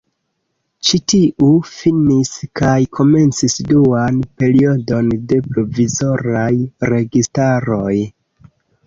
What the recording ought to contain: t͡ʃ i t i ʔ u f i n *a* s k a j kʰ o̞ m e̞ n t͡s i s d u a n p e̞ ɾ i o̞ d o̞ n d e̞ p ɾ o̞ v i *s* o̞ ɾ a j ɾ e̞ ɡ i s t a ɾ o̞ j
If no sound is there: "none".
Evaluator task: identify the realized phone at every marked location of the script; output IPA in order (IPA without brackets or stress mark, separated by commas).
i, z